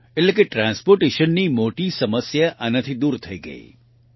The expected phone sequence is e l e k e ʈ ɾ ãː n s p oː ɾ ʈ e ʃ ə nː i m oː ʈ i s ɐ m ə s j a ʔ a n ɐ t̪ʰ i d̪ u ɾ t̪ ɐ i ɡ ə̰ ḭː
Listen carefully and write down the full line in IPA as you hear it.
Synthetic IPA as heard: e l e k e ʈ ɾ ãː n s p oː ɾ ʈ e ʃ ə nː i m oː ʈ i s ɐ m ə s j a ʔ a n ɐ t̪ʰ i d̪ uː ɾ t̪ʰ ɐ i ɡ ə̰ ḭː